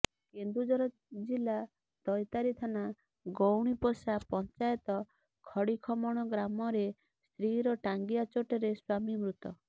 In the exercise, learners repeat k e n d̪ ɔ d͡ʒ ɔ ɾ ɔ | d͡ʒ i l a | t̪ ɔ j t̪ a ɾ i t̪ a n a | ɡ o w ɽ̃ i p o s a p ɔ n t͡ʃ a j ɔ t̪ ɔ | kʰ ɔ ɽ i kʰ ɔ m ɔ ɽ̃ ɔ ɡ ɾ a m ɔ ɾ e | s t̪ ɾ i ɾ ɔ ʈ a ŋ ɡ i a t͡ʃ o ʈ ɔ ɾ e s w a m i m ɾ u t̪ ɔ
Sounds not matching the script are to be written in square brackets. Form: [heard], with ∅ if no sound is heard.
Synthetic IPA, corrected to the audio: k e n d̪ [u] d͡ʒ ɔ ɾ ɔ | d͡ʒ i l a | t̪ ɔ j t̪ a ɾ i [t̪ʰ] a n a | ɡ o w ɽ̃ i p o s a p ɔ n t͡ʃ a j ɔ t̪ ɔ | kʰ ɔ ɽ i kʰ ɔ m ɔ ɽ̃ ɔ ɡ ɾ a m ɔ ɾ e | s t̪ ɾ i ɾ ɔ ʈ a ŋ ɡ i a t͡ʃ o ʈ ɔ ɾ e s w a m i m ɾ u t̪ ɔ

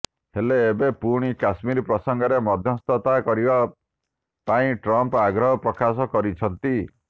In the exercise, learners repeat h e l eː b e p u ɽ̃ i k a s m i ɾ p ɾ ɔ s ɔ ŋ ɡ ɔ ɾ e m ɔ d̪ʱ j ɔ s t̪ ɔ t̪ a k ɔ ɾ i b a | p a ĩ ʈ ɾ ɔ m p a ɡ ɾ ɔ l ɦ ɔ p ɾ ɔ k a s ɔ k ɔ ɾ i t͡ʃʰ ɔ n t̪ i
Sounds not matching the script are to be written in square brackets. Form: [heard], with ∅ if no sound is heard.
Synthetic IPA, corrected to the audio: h e l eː b e p u ɽ̃ i k a s m i ɾ p ɾ ɔ s ɔ ŋ ɡ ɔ ɾ e m ɔ d̪ʱ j ɔ s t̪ ɔ t̪ a k ɔ ɾ i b a | p a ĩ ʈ ɾ ɔ m p a ɡ ɾ ɔ [∅] ɦ ɔ p ɾ ɔ k a s ɔ k ɔ ɾ i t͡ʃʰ ɔ n t̪ i

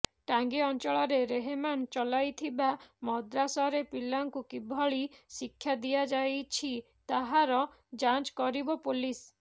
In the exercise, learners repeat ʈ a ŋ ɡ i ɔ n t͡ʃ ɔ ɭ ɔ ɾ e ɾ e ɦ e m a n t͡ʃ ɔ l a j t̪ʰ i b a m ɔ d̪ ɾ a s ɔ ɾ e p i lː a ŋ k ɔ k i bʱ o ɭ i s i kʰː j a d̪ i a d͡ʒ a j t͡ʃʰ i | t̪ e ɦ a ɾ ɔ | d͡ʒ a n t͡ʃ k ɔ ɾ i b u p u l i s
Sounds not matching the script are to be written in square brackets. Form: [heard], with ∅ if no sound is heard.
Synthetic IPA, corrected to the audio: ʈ a ŋ ɡ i ɔ n t͡ʃ ɔ ɭ ɔ ɾ e ɾ e ɦ e m a n t͡ʃ ɔ l a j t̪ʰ i b a m ɔ d̪ ɾ a s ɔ ɾ e p i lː a ŋ k [u] k i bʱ [ɔ] ɭ i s i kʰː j a d̪ i a d͡ʒ a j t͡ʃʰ i | t̪ [a] ɦ a ɾ ɔ | d͡ʒ a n t͡ʃ k ɔ ɾ i b [ɔ] p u l i s

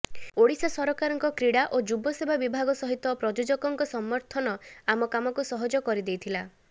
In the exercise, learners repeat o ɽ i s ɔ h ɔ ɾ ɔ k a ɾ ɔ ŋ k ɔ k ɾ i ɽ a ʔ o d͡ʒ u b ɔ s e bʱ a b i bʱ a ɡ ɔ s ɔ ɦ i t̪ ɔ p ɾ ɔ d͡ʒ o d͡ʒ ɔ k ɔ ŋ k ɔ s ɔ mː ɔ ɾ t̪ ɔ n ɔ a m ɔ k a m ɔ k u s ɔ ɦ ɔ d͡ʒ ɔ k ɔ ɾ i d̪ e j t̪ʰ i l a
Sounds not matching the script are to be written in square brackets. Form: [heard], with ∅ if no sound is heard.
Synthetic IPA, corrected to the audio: o ɽ i s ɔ [s] ɔ ɾ ɔ k a ɾ ɔ ŋ k ɔ k ɾ i ɽ a ʔ o d͡ʒ u b ɔ s e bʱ a b i bʱ a ɡ ɔ s ɔ ɦ i t̪ ɔ p ɾ ɔ d͡ʒ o d͡ʒ ɔ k ɔ ŋ k ɔ s ɔ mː ɔ ɾ [t̪ʰ] ɔ n ɔ a m ɔ k a m ɔ k u s ɔ ɦ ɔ d͡ʒ ɔ k ɔ ɾ i d̪ e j t̪ʰ i l a

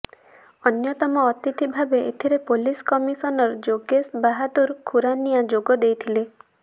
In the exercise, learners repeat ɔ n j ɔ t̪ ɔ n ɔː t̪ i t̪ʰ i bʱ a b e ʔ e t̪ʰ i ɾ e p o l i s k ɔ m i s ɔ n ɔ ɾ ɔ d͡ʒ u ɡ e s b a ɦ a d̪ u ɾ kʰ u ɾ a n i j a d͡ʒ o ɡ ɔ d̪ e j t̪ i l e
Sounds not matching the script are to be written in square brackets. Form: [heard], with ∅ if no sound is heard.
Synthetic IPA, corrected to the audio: ɔ n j ɔ t̪ ɔ [m] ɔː t̪ i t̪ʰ i bʱ a b e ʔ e t̪ʰ i ɾ e p o l i s k ɔ m i s ɔ n ɔ ɾ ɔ d͡ʒ [o] ɡ e s b a ɦ a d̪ u ɾ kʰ u ɾ a n i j a d͡ʒ o ɡ ɔ d̪ e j [t̪ʰ] i l e

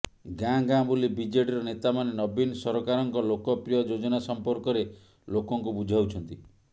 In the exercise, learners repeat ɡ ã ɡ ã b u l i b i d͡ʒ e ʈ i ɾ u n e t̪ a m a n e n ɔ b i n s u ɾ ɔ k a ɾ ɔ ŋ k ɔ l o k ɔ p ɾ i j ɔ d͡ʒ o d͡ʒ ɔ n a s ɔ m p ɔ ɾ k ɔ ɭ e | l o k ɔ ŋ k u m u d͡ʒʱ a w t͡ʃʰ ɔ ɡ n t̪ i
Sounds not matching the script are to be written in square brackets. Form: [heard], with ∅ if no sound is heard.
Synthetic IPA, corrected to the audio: ɡ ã ɡ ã b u l i b i d͡ʒ e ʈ i ɾ [ɔ] n e t̪ a m a n e n ɔ b i n s [ɔ] ɾ ɔ k a ɾ ɔ ŋ k ɔ l o k ɔ p ɾ i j ɔ d͡ʒ o d͡ʒ ɔ n a s ɔ m p ɔ ɾ k ɔ [ɾ] e | l o k ɔ ŋ k u [b] u d͡ʒʱ a w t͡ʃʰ ɔ [∅] n t̪ i

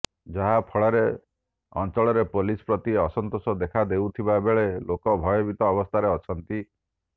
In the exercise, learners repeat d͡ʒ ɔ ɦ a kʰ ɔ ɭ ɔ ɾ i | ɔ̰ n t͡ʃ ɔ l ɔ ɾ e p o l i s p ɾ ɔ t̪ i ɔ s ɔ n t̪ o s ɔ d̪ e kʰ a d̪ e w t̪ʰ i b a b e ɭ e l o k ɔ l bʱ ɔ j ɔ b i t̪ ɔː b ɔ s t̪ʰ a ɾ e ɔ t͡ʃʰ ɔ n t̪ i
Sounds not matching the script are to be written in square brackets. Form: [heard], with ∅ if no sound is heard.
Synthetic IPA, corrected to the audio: d͡ʒ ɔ ɦ a [pʰ] ɔ ɭ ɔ ɾ [e] | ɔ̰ n t͡ʃ ɔ [ɭ] ɔ ɾ e p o l i s p ɾ ɔ t̪ i ɔ s ɔ n t̪ o s ɔ d̪ e kʰ a d̪ e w t̪ʰ i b a b e ɭ e l o k ɔ [∅] bʱ ɔ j ɔ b i t̪ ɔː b ɔ s t̪ʰ a ɾ e ɔ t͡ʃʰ ɔ n t̪ i

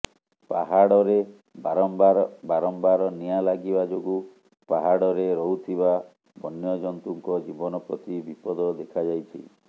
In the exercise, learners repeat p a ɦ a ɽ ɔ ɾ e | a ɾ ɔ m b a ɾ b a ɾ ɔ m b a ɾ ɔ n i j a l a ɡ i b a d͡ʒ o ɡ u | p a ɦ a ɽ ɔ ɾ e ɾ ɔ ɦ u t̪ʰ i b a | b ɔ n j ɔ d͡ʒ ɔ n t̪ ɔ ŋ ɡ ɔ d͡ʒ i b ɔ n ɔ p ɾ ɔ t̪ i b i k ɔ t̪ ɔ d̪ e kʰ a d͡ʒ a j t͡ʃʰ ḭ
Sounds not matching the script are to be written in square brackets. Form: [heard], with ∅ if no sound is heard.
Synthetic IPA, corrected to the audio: p a ɦ a ɽ ɔ ɾ e | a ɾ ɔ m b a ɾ b a ɾ ɔ m b a ɾ ɔ n i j a l a ɡ i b a d͡ʒ o ɡ u | p a ɦ a ɽ ɔ ɾ e ɾ ɔ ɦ u t̪ʰ i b a | b ɔ n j ɔ d͡ʒ ɔ n t̪ [u] ŋ [k] ɔ d͡ʒ i b ɔ n ɔ p ɾ ɔ t̪ i b i [p] ɔ [d̪] ɔ d̪ e kʰ a d͡ʒ a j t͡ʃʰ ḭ

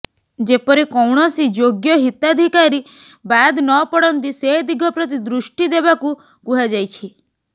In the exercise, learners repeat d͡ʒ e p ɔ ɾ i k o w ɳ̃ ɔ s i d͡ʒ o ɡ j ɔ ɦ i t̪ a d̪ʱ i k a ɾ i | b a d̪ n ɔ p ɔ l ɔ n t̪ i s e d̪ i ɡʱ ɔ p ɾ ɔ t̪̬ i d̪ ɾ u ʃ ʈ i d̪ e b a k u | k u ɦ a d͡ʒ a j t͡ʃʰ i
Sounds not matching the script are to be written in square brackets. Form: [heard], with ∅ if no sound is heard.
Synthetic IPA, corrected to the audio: d͡ʒ e p ɔ ɾ i k [ɔ] w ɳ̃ ɔ s i d͡ʒ o ɡ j ɔ ɦ i t̪ a d̪ʱ i k a ɾ i | b a d̪ n ɔ p ɔ [ɽ] ɔ n t̪ i s e d̪ i ɡʱ ɔ p ɾ ɔ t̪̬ i d̪ ɾ u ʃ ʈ i d̪ e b a k u | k u ɦ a d͡ʒ a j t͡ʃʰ i

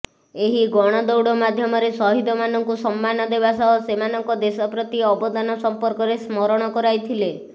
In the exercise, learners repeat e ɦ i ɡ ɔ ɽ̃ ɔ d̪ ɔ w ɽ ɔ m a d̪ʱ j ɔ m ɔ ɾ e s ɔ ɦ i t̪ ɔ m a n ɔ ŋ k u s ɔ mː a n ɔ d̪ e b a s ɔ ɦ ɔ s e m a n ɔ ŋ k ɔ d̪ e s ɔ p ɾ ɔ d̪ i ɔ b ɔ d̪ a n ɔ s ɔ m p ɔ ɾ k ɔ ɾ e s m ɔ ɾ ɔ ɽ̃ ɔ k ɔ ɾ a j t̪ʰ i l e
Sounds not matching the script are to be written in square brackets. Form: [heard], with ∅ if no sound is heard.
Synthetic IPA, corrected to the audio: e ɦ i ɡ ɔ ɽ̃ ɔ d̪ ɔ w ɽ ɔ m a d̪ʱ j ɔ m ɔ ɾ e s ɔ ɦ i [d̪] ɔ m a n ɔ ŋ k u s ɔ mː a n ɔ d̪ e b a s ɔ ɦ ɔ s e m a n ɔ ŋ k ɔ d̪ e s ɔ p ɾ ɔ [t̪] i ɔ b ɔ d̪ a n ɔ s ɔ m p ɔ ɾ k ɔ ɾ e s m ɔ ɾ ɔ ɽ̃ ɔ k ɔ ɾ a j t̪ʰ i l e

